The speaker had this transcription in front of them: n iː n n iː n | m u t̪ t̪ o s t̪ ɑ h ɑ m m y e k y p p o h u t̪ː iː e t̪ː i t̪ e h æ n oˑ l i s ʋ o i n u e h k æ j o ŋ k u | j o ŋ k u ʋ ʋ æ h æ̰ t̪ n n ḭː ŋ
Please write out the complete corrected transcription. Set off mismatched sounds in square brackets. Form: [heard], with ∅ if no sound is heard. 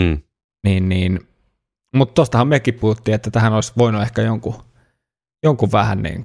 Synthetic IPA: n iː n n iː n | m u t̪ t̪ o s t̪ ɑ h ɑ m m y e k [i] p p [u] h u t̪ː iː e t̪ː [æ] t̪ [æ] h æ n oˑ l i s ʋ o i n u e h k æ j o ŋ k u | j o ŋ k u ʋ ʋ æ h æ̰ [∅] n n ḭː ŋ